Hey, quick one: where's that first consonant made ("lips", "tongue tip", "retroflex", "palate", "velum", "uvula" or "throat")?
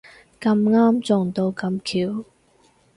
velum